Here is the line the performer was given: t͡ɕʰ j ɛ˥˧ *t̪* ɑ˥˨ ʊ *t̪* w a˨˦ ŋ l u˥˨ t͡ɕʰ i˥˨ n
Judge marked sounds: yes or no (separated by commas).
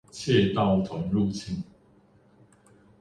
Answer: yes, no